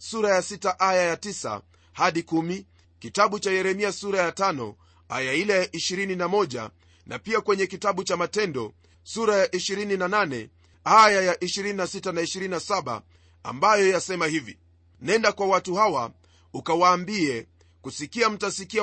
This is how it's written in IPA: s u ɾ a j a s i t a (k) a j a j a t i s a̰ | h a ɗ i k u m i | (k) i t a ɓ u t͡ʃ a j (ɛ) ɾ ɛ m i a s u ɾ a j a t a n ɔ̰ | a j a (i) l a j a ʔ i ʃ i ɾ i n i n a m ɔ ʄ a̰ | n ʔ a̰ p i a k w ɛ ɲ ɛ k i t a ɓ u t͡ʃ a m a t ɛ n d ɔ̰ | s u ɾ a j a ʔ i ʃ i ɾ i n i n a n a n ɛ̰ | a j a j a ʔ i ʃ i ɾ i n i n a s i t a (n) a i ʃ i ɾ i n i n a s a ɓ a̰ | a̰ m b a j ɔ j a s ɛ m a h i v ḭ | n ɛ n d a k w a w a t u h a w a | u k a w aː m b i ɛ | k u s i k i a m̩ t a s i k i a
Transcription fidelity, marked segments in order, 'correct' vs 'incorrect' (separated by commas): incorrect, correct, correct, correct, correct